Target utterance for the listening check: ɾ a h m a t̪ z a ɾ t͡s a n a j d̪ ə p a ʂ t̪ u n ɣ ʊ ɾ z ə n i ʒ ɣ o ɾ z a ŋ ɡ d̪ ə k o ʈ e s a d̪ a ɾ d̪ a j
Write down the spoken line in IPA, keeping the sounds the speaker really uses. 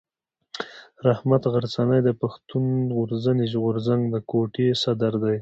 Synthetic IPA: ɾ a h m a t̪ ɣ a ɾ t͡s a n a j d̪ ə p a x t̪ u n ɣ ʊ ɾ z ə n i ʒ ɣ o ɾ z a ŋ ɡ d̪ ə k o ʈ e s a d̪ a ɾ d̪ a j